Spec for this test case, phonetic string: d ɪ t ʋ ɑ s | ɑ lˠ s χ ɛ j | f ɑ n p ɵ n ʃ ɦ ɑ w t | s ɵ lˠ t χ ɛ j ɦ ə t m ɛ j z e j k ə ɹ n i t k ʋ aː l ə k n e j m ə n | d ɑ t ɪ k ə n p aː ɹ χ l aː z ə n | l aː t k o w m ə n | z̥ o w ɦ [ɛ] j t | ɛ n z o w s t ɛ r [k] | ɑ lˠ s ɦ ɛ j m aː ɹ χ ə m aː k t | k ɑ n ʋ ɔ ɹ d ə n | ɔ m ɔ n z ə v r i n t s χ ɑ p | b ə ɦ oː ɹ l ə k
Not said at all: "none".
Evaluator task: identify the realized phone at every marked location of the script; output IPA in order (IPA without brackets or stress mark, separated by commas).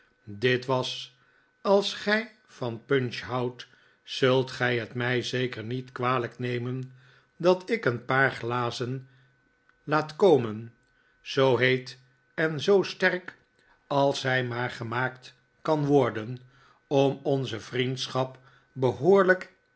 e, k